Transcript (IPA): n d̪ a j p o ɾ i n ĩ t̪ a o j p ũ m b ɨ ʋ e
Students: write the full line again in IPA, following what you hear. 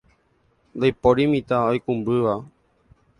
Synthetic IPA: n d̪ a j p o ɾ i m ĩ t̪ a o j k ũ m b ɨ ʋ a